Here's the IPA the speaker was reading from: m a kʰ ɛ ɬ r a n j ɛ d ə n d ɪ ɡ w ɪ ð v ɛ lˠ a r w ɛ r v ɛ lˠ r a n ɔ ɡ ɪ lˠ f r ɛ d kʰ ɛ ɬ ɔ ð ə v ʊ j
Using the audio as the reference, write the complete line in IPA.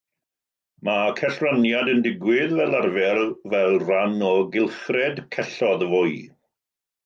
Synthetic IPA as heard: m a kʰ ɛ ɬ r a n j a d ə n d ɪ ɡ w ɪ ð v ɛ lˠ a r v ɛ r v ɛ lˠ r a n ɔ ɡ ɪ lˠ χ r ɛ d kʰ ɛ ɬ ɔ ð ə v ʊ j